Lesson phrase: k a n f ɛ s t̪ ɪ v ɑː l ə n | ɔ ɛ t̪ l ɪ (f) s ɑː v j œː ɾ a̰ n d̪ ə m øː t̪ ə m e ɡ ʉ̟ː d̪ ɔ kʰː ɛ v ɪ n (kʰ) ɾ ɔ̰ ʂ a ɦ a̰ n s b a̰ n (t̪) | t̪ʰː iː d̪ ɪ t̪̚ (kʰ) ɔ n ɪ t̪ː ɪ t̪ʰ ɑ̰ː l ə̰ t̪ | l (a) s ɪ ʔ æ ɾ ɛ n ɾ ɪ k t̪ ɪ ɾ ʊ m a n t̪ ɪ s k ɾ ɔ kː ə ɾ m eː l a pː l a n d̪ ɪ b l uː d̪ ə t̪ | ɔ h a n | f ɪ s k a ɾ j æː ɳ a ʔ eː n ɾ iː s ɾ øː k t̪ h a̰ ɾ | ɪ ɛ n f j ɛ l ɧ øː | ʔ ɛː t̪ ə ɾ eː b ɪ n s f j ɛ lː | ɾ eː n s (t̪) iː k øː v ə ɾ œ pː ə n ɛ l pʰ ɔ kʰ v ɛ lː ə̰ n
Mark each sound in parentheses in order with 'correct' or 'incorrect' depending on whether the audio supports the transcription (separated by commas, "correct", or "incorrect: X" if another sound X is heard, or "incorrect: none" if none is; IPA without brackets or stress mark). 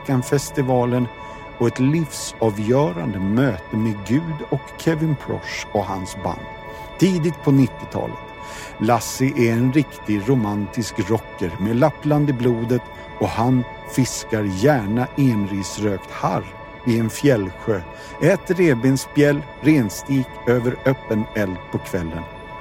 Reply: correct, incorrect: pʰ, incorrect: d̪, incorrect: pʰ, correct, correct